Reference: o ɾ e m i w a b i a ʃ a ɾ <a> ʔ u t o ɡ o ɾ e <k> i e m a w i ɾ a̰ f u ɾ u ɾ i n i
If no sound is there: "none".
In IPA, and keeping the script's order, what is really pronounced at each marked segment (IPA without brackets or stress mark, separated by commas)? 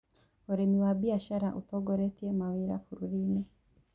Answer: a, t